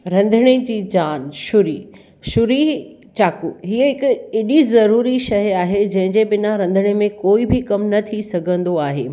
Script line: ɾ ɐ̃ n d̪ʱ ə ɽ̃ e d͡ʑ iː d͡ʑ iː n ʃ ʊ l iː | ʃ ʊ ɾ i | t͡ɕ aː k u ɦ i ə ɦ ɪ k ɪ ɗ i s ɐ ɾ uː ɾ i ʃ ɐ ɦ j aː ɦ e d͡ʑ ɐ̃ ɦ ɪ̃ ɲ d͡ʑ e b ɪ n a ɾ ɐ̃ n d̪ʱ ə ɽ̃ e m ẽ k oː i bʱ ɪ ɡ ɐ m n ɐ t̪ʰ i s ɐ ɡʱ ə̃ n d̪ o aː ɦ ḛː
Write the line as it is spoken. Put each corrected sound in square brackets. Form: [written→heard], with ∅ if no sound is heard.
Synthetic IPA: ɾ ɐ̃ n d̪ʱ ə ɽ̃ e d͡ʑ iː d͡ʑ [iː→aː] n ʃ ʊ [l→ɾ] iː | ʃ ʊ ɾ i | t͡ɕ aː k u ɦ i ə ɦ ɪ k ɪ ɗ i [s→z] ɐ ɾ uː ɾ i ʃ ɐ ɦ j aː ɦ e d͡ʑ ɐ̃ ɦ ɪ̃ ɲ d͡ʑ e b ɪ n a ɾ ɐ̃ n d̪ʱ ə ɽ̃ e m ẽ k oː i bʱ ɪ [ɡ→k] ɐ m n ɐ t̪ʰ i s ɐ ɡʱ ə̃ n d̪ o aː ɦ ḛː